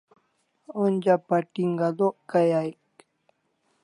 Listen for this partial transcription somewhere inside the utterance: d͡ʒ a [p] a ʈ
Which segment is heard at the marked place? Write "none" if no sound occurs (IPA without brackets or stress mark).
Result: p